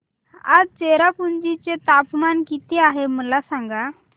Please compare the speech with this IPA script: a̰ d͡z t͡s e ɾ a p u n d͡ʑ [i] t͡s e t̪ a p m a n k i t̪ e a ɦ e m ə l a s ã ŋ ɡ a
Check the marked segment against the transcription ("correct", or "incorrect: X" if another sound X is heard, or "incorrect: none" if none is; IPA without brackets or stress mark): correct